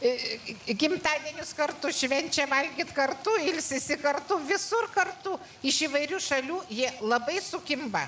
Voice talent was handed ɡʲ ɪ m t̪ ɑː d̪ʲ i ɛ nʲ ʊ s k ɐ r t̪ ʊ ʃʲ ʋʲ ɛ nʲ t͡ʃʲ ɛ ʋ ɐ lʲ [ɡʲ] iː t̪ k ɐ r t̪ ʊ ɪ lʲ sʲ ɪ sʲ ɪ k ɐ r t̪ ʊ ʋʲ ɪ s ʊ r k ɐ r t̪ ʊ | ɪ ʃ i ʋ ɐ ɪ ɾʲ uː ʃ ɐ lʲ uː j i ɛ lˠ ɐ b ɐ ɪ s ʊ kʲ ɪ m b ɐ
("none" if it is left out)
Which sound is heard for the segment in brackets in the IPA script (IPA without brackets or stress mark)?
ɡʲ